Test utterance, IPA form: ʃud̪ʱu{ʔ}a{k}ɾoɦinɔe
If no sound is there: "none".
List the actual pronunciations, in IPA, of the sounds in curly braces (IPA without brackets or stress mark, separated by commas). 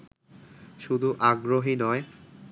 ʔ, ɡ